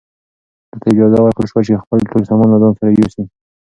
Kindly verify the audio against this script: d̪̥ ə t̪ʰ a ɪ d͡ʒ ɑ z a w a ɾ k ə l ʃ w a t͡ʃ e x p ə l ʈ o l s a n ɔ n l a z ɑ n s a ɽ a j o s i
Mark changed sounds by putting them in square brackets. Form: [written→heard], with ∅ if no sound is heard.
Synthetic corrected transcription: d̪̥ ə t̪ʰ a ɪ d͡ʒ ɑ z a w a ɾ k ə l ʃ w a t͡ʃ e x p ə l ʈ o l s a [n→m] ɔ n l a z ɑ n s a [ɽ→ɾ] a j o s i